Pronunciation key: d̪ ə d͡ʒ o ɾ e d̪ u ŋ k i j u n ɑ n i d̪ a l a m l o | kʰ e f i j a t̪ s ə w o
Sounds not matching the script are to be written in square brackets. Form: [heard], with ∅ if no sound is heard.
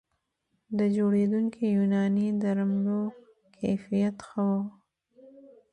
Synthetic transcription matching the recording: d̪ ə d͡ʒ o [ɽ] e d̪ u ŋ k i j u n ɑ n i d̪ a [ɾ] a m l o | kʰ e f i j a t̪ [x] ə w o